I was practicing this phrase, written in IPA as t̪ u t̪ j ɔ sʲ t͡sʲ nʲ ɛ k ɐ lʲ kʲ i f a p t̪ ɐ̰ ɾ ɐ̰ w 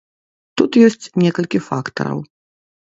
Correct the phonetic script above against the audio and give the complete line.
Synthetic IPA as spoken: t̪ u t̪ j ɔ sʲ t͡sʲ nʲ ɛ k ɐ lʲ kʲ i f a k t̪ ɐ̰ ɾ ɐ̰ w